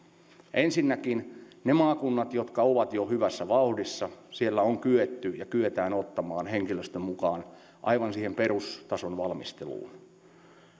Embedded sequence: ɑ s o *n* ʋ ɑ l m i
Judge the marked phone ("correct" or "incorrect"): correct